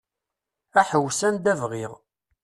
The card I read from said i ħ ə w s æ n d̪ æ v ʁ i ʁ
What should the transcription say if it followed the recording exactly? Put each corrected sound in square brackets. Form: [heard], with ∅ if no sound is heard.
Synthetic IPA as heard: [æ] ħ ə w s æ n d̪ æ v ʁ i ʁ